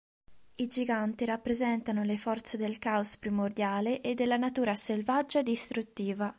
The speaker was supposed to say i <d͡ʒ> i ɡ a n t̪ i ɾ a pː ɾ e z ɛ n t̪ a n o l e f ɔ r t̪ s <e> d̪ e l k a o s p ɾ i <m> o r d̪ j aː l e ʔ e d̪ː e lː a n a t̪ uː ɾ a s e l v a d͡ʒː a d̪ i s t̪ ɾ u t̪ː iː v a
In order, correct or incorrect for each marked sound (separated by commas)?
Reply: correct, correct, correct